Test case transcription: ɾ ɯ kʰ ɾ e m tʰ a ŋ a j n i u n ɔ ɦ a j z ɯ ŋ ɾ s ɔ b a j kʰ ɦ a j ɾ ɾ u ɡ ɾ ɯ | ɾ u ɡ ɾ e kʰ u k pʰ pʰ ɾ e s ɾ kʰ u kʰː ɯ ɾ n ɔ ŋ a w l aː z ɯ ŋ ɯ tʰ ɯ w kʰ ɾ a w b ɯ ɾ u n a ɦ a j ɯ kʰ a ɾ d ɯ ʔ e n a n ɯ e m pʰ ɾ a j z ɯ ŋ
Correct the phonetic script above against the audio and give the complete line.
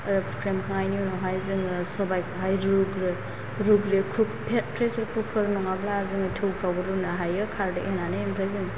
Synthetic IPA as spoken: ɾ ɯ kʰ ɾ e m kʰ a ŋ a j n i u n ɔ ɦ a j z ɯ ŋ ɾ s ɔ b a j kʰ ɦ a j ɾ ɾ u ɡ ɾ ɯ | ɾ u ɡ ɾ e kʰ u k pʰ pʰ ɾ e s ɾ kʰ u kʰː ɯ ɾ n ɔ ŋ a b l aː z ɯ ŋ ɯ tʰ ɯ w kʰ ɾ a w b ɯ ɾ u n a ɦ a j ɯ kʰ a ɾ d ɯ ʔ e n a n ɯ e m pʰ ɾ a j z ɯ ŋ

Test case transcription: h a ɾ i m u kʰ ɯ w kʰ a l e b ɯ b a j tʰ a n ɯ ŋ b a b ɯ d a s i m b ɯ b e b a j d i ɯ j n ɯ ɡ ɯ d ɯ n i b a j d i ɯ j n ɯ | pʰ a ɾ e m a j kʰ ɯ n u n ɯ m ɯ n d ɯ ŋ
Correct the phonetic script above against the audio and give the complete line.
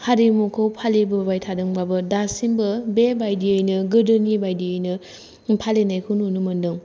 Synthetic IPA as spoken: h a ɾ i m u kʰ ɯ w pʰ a l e b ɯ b a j tʰ a d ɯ ŋ b a b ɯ d a s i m b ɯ b e b a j d i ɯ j n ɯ ɡ ɯ d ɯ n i b a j d i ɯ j n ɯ | pʰ a l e n a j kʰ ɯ n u n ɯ m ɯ n d ɯ ŋ

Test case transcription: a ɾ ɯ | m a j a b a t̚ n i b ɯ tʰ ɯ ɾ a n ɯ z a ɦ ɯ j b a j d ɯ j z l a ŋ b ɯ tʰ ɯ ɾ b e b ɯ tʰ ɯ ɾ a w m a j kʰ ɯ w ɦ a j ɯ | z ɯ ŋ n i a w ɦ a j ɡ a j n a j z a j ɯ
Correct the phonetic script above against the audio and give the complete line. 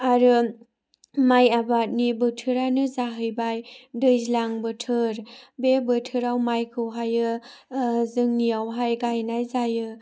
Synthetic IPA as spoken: a ɾ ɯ | m a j a b a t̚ n i b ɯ tʰ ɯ ɾ a n ɯ z a ɦ ɯ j b a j d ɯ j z l a ŋ b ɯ tʰ ɯ ɾ b e b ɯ tʰ ɯ ɾ a w m a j kʰ ɯ w ɦ a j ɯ | z ɯ ŋ n i a w ɦ a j ɡ a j n a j z a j ɯ

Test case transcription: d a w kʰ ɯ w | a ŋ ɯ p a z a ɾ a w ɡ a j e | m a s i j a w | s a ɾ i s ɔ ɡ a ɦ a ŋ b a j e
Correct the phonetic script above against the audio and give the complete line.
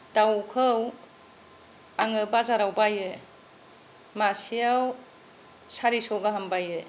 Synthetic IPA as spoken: d a w kʰ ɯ w | a ŋ ɯ b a z a ɾ a w b a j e | m a s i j a w | s a ɾ i s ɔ ɡ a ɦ a m b a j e

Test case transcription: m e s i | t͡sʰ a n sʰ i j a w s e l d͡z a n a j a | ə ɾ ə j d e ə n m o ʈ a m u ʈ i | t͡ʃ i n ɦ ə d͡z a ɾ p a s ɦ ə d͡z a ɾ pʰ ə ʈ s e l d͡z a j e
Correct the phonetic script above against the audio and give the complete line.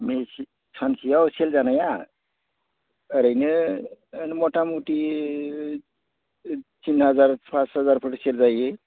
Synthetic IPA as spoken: m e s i | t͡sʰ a n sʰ i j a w s e l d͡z a n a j a | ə ɾ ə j n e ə n m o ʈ a m u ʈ i | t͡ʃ i n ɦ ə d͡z a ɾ p a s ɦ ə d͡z a ɾ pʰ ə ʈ s e l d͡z a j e

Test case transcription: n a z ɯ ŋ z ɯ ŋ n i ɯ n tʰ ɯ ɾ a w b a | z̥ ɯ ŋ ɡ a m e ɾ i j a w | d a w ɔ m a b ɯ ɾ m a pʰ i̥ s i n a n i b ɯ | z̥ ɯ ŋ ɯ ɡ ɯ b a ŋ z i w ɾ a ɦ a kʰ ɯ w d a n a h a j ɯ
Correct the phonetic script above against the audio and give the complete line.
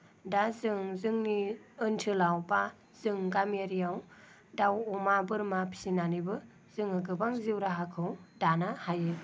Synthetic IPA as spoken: d a z ɯ ŋ z ɯ ŋ n i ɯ n tʰ ɯ l a w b a | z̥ ɯ ŋ ɡ a m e ɾ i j a w | d a w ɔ m a b ɯ ɾ m a pʰ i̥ s i n a n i b ɯ | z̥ ɯ ŋ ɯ ɡ ɯ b a ŋ z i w ɾ a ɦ a kʰ ɯ w d a n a h a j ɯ

